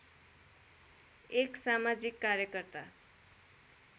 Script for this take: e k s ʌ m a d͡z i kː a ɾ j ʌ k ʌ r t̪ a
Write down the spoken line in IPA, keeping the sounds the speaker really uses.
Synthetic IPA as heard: e k s a m a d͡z i kː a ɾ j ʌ k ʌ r t̪ a